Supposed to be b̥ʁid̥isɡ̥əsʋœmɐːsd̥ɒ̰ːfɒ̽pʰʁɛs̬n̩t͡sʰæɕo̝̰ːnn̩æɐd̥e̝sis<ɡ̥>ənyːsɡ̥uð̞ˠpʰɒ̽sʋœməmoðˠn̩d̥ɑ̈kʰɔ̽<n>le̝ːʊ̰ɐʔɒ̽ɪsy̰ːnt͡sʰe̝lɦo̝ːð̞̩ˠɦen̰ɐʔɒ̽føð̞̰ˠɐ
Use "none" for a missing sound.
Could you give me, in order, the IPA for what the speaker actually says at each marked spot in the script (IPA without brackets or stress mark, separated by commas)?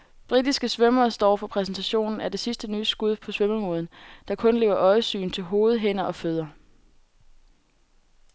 d̥, n